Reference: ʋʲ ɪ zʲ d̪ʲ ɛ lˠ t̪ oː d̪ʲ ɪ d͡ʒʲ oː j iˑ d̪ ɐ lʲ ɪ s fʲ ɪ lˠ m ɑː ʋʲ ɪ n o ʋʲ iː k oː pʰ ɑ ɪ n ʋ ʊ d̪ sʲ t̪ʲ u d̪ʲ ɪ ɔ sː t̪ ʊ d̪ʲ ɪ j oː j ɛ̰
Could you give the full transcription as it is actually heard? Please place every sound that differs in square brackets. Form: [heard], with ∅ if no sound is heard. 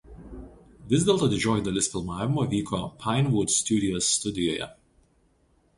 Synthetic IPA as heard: ʋʲ ɪ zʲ d̪ʲ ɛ lˠ t̪ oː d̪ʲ ɪ d͡ʒʲ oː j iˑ d̪ ɐ lʲ ɪ s fʲ ɪ lˠ m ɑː ʋʲ ɪ [m] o ʋʲ iː k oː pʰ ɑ ɪ n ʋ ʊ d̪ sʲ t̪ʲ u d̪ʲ ɪ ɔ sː t̪ ʊ d̪ʲ ɪ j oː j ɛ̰